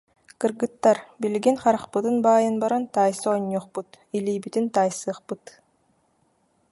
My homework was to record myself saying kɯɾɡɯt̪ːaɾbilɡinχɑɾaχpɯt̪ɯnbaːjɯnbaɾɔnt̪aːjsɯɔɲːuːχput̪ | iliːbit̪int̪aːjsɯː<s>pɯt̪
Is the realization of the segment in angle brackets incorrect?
yes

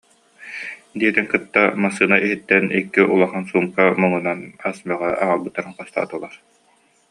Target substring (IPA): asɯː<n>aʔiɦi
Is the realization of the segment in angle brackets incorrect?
no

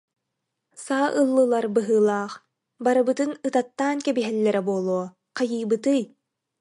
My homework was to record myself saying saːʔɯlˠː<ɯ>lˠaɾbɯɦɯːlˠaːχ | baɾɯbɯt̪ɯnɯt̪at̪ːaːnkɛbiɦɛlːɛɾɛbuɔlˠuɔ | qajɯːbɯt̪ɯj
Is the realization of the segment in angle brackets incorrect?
no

